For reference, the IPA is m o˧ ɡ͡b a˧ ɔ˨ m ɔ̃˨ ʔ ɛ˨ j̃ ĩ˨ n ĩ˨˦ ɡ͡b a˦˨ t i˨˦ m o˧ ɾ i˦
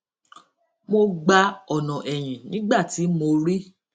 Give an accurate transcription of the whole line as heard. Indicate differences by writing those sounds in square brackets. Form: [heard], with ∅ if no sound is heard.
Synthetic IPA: m o˧ ɡ͡b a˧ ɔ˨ [n] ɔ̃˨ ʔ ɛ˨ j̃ ĩ˨ n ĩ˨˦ ɡ͡b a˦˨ t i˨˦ m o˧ ɾ i˦